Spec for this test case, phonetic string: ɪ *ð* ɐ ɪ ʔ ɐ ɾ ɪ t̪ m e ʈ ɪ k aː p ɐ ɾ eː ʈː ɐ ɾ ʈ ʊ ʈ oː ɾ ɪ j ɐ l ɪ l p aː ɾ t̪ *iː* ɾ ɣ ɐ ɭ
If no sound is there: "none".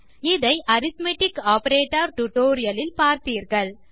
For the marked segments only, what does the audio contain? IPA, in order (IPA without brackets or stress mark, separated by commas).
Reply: ð, iː